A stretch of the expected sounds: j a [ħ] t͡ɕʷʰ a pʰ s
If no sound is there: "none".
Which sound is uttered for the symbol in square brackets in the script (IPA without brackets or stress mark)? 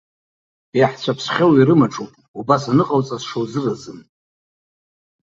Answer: ħ